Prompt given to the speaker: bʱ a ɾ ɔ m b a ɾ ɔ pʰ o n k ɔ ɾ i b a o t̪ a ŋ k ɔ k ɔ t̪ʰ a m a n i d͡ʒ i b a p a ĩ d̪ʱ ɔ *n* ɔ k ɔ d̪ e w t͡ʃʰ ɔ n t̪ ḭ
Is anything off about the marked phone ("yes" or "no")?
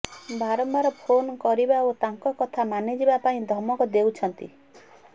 yes